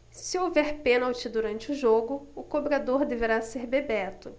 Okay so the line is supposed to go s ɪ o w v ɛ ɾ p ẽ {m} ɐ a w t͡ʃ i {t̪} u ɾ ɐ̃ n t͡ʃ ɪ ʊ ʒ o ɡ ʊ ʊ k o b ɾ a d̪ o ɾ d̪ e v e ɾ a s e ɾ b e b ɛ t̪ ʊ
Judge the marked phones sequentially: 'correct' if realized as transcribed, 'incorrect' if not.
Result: incorrect: n, incorrect: d̪

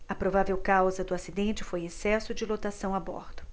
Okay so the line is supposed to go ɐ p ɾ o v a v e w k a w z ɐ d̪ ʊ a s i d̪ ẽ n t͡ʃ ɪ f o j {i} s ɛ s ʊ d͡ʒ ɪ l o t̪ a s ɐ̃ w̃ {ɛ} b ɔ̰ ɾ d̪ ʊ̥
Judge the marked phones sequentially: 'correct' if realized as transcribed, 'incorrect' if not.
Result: incorrect: e, incorrect: a

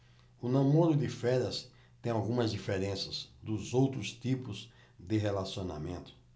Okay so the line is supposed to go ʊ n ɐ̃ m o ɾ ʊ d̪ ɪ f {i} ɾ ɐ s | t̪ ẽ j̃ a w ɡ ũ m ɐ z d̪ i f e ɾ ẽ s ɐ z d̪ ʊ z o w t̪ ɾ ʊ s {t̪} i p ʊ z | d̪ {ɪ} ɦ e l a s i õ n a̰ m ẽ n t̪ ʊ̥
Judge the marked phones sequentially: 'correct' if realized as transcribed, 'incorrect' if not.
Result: incorrect: ɛ, correct, correct

